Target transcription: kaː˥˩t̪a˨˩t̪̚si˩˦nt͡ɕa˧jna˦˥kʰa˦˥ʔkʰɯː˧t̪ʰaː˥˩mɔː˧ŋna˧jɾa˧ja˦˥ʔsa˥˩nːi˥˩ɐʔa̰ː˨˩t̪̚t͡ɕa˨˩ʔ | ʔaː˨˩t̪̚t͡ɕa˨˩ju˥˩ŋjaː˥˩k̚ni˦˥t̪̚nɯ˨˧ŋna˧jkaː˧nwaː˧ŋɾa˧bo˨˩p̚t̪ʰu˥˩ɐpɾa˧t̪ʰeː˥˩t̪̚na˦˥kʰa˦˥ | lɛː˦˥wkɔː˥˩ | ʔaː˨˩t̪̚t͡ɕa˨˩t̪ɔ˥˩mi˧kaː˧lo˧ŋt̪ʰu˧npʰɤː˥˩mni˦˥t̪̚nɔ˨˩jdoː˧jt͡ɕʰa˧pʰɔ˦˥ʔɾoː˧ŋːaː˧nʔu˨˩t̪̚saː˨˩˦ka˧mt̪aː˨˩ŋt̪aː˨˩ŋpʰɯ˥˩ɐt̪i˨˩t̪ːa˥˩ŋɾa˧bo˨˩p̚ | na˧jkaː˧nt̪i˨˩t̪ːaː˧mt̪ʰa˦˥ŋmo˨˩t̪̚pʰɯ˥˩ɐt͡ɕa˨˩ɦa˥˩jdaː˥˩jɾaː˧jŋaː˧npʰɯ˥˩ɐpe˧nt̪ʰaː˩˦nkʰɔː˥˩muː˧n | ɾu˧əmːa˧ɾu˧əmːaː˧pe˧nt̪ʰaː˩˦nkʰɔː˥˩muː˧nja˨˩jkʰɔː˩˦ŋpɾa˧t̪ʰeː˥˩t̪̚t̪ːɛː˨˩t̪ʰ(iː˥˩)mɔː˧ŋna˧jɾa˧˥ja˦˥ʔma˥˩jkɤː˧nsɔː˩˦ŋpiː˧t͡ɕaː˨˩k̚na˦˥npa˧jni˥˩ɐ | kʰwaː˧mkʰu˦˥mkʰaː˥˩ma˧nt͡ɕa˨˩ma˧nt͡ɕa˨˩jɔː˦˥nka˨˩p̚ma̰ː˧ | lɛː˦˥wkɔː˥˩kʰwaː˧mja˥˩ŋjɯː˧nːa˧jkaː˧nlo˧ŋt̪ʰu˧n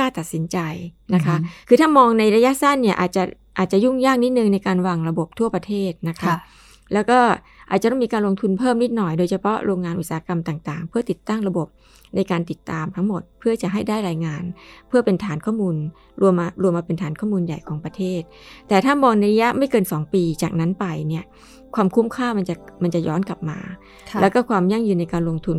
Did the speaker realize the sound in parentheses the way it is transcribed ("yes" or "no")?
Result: no